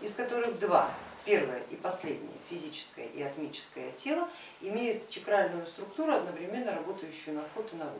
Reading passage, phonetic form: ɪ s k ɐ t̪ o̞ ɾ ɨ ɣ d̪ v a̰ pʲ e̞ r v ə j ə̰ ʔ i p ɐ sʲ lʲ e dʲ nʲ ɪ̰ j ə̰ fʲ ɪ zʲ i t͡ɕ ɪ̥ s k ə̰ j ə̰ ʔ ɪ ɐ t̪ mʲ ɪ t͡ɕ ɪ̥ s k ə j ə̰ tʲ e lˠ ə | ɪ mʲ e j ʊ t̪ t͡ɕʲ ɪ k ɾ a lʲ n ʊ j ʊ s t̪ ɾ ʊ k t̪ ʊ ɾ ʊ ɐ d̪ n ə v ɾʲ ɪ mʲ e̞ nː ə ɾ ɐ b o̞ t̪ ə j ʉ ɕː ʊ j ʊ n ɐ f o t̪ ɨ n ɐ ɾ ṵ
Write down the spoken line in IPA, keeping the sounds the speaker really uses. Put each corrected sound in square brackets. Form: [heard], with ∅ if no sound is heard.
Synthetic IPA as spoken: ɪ s k ɐ t̪ o̞ ɾ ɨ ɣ d̪ v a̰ pʲ e̞ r v ə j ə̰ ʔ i p ɐ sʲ lʲ e dʲ nʲ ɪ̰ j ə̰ fʲ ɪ zʲ i t͡ɕ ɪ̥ s k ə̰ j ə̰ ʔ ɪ ɐ t̪ mʲ [i] t͡ɕ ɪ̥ s k ə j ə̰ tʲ e lˠ ə | ɪ mʲ e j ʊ t̪ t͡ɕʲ ɪ k ɾ a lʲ n ʊ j ʊ s t̪ ɾ ʊ k t̪ [u] ɾ ʊ ɐ d̪ n ə v ɾʲ ɪ mʲ e̞ nː ə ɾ ɐ b o̞ t̪ ə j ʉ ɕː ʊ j ʊ n ɐ f o t̪ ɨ n ɐ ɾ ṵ